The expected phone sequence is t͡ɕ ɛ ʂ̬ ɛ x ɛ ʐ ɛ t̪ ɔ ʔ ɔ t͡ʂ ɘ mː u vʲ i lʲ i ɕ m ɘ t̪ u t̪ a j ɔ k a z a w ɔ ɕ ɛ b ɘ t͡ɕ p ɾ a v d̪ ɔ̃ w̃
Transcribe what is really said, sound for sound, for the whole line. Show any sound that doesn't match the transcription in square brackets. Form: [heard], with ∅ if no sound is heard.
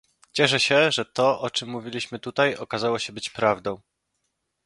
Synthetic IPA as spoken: t͡ɕ ɛ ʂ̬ ɛ [ɕ] ɛ ʐ ɛ t̪ ɔ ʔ ɔ t͡ʂ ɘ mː u vʲ i lʲ i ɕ m ɘ t̪ u t̪ a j ɔ k a z a w ɔ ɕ ɛ b ɘ t͡ɕ p ɾ a v d̪ ɔ̃ w̃